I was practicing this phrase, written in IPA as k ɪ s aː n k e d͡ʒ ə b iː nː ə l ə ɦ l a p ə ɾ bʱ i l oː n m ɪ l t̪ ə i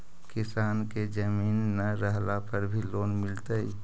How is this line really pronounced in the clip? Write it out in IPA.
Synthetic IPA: k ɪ s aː n k e d͡ʒ ə m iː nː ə ɾ ə ɦ l a p ə ɾ bʱ i l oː n m ɪ l t̪ ə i